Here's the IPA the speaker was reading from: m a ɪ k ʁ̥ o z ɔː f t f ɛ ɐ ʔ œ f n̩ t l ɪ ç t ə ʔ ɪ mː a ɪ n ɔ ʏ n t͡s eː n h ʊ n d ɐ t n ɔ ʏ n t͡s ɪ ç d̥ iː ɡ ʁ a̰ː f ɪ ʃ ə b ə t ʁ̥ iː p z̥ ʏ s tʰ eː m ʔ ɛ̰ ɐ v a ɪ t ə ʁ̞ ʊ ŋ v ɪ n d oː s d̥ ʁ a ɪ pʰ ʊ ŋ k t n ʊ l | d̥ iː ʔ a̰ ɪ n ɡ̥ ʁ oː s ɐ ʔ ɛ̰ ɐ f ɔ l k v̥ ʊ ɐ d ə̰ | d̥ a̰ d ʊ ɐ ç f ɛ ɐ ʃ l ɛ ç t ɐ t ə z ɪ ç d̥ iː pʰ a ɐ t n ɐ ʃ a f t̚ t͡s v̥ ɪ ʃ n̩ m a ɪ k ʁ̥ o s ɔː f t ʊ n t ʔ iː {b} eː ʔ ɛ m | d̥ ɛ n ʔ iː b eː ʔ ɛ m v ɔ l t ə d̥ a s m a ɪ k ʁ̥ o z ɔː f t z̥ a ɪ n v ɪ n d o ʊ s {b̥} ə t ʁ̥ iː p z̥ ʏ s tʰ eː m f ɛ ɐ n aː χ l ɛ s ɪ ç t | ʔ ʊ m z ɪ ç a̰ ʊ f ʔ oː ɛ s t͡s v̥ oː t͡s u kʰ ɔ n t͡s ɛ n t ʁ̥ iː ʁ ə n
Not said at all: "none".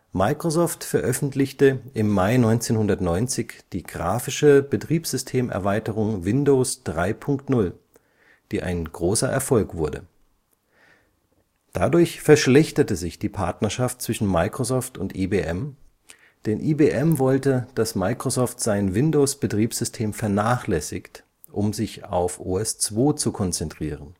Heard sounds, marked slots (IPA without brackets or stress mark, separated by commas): b, b̥